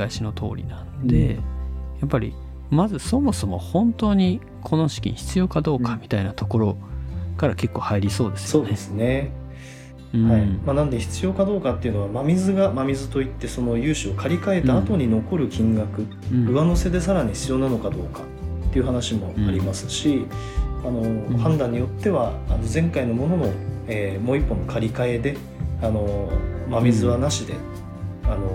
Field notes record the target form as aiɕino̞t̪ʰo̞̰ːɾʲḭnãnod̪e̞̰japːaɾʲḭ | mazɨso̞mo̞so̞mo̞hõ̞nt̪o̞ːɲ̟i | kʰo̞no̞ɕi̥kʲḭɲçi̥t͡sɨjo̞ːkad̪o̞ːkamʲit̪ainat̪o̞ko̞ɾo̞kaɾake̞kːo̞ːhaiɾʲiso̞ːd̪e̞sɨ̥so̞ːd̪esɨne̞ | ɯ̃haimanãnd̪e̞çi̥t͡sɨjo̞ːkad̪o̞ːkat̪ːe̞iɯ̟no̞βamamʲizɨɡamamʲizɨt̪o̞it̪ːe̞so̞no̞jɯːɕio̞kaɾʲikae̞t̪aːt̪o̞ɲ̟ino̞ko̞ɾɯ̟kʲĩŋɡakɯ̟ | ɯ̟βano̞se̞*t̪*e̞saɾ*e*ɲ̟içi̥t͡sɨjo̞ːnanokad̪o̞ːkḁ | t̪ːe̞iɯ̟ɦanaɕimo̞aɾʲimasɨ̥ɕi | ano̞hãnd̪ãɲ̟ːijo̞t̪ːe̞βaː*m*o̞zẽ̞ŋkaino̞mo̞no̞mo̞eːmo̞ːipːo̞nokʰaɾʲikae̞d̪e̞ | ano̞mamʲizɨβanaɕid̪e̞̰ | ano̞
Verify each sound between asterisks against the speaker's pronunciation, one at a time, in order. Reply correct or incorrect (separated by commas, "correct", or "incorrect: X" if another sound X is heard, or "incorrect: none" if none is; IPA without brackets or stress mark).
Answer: incorrect: d̪, incorrect: a, incorrect: n